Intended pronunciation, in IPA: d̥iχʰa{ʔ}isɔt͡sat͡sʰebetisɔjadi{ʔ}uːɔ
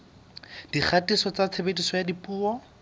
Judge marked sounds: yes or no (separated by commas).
no, no